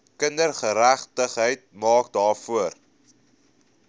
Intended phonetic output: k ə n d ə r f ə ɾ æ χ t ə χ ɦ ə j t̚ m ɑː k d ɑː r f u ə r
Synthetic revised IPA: k ə n d ə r χ ə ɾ æ χ t ə χ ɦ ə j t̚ m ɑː k d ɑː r f u ə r

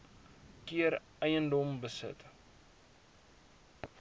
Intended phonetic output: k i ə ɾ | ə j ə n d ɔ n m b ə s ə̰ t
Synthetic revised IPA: k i ə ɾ | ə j ə n d ɔ m b ə s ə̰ t

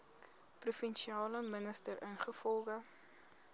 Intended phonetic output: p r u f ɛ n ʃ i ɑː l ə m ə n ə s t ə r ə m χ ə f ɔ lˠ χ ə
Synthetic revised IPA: p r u f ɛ n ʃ i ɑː l ə m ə n ə s t ə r ə n χ ə f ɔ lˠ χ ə

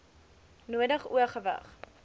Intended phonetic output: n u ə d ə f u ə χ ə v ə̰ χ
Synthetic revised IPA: n u ə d ə χ u ə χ ə v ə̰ χ

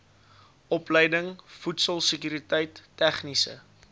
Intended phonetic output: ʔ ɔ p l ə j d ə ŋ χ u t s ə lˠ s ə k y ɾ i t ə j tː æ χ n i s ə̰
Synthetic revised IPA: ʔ ɔ p l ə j d ə ŋ f u t s ə lˠ s ə k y ɾ i t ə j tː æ χ n i s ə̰

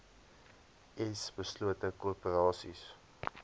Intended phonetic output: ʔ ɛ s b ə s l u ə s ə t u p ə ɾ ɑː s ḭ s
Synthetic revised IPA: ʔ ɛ s b ə s l u ə t ə k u p ə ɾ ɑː s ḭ s

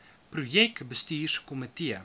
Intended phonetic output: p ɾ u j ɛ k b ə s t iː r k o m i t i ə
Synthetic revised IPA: p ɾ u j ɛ k b ə s t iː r k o m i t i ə

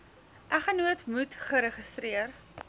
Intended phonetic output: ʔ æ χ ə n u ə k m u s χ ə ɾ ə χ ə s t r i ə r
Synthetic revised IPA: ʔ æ χ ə n u ə t m u t χ ə ɾ ə χ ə s t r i ə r

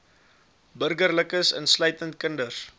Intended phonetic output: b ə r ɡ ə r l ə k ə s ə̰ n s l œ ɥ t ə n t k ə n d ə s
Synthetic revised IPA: b ə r ɡ ə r l ə k ə s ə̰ n s l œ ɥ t ə n t k ə n d ə s

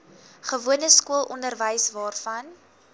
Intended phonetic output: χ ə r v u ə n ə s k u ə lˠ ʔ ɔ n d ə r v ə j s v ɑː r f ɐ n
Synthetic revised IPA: χ ə v u ə n ə s k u ə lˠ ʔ ɔ n d ə r v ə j s v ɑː r f ɐ n

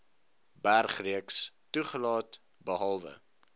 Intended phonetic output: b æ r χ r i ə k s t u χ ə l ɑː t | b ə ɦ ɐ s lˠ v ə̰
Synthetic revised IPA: b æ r χ r i ə k s t u χ ə l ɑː t | b ə ɦ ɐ lˠ v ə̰

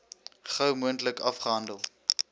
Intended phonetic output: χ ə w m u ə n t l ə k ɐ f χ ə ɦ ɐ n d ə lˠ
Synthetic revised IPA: χ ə w m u ə n t l ə k ɐ f χ ə ɦ ɐ n d ə lˠ

